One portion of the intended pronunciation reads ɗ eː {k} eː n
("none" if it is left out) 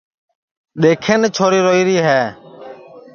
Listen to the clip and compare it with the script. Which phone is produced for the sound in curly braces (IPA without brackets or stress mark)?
kʰ